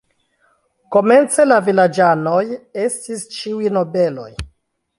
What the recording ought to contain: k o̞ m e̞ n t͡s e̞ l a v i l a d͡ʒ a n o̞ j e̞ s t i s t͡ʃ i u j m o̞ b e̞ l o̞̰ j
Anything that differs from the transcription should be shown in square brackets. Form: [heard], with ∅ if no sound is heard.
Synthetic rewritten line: k o̞ m e̞ n t͡s e̞ l a v i l a d͡ʒ a n o̞ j e̞ s t i s t͡ʃ i u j [n] o̞ b e̞ l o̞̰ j